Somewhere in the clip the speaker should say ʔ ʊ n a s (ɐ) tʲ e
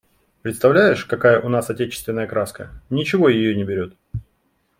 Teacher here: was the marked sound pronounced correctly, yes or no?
yes